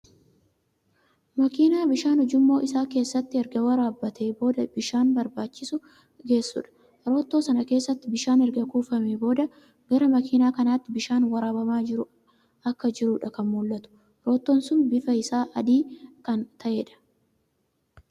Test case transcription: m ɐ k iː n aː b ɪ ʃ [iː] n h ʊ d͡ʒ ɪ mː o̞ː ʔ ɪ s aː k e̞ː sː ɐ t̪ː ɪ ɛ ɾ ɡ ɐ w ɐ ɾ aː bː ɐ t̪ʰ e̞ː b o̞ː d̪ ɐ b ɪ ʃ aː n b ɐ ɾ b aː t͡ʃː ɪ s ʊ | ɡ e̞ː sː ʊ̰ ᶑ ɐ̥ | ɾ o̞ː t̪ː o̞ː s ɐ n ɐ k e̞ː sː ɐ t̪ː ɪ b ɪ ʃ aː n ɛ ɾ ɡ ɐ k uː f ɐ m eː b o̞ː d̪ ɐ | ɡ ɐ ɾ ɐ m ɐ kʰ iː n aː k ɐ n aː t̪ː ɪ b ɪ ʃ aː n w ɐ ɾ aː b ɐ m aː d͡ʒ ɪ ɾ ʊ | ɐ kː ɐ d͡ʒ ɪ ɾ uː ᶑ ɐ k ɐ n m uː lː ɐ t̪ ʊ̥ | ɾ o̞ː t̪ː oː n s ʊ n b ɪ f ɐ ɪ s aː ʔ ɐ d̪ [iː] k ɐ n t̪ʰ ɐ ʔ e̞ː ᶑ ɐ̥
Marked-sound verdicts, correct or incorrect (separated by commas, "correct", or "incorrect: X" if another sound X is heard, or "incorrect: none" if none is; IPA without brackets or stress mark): incorrect: aː, correct